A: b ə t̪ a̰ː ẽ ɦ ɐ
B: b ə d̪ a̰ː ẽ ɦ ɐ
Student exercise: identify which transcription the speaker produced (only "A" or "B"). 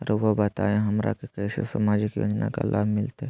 A